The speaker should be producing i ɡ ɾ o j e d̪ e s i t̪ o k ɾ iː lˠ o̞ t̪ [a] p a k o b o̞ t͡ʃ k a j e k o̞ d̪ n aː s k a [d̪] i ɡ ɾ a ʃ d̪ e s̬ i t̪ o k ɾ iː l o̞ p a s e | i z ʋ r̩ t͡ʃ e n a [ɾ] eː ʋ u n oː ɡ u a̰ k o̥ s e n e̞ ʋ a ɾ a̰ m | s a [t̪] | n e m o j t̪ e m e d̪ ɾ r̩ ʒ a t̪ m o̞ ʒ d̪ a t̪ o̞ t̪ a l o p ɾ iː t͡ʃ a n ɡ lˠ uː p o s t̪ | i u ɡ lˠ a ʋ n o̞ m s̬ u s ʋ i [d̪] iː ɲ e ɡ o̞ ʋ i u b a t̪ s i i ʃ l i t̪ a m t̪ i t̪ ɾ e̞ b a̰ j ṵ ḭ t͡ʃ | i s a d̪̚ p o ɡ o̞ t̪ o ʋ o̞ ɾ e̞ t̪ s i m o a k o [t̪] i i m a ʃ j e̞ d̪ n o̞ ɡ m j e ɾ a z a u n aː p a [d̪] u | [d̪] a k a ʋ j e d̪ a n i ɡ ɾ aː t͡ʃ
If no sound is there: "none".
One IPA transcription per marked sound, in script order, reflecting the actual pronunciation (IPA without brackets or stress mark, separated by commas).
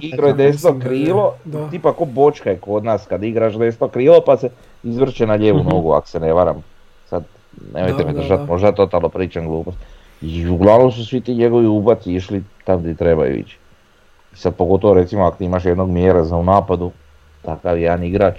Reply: i, d̪, ʎ, d̪, t̪, t̪, d̪, t̪